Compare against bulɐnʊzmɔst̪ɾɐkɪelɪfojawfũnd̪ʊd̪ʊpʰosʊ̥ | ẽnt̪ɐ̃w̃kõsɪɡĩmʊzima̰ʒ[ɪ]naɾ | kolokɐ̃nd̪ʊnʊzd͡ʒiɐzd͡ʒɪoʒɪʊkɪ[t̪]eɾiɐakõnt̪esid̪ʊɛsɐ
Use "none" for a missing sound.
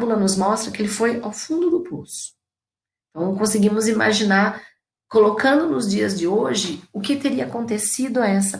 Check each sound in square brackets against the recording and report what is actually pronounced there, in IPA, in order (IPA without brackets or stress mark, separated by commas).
i, t̪